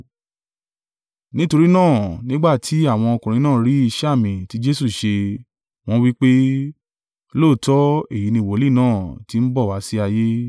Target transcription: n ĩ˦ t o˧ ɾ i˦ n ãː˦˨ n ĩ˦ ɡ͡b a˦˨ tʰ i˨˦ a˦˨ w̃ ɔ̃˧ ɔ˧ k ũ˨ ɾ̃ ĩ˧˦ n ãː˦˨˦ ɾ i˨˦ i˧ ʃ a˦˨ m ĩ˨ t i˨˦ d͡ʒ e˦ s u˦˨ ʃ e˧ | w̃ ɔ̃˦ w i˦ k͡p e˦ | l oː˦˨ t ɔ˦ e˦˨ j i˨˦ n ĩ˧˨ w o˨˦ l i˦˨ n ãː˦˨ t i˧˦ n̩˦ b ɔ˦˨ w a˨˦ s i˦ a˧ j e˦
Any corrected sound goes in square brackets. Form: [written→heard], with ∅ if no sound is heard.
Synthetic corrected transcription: n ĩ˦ t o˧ ɾ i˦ n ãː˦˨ n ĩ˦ ɡ͡b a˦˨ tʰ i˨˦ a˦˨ w̃ ɔ̃˧ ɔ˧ k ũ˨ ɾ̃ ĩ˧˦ n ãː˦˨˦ ɾ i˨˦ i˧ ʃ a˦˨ m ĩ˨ t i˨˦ d͡ʒ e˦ s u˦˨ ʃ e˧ | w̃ ɔ̃˦ w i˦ k͡p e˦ | l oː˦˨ t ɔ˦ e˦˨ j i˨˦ n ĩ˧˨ w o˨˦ l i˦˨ n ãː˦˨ t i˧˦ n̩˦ b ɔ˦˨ w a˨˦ s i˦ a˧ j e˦